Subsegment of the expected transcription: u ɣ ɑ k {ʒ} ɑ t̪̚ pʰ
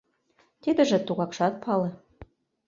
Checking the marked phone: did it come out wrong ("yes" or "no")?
yes